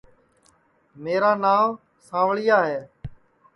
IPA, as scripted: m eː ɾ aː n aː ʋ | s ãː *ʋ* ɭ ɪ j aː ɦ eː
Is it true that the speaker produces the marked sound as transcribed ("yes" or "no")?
yes